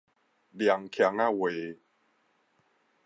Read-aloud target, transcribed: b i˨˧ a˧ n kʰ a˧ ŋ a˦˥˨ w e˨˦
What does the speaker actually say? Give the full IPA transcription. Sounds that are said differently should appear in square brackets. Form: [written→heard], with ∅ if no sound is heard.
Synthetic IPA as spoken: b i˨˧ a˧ [n→ŋ] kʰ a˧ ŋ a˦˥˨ w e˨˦